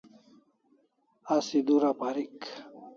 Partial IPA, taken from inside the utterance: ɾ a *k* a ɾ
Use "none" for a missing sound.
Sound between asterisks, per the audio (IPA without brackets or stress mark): p